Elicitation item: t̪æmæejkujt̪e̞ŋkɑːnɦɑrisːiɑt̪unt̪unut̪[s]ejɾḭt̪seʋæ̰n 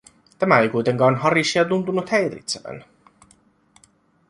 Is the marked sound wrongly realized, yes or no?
yes